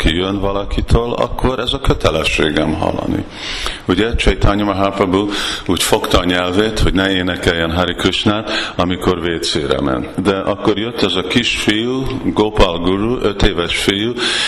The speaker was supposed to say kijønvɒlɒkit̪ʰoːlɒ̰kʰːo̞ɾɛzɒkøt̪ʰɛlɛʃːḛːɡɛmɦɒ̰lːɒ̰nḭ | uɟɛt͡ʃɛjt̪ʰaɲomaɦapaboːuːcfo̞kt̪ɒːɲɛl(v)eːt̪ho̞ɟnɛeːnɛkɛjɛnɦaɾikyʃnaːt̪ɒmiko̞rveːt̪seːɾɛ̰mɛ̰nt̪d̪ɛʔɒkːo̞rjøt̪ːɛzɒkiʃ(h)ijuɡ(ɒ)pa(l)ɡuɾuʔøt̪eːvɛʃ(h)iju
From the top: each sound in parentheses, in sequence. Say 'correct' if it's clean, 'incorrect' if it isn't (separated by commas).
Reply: correct, incorrect, incorrect, correct, incorrect